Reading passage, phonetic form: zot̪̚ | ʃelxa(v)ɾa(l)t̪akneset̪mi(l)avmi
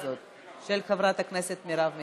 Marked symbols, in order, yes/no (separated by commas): yes, no, no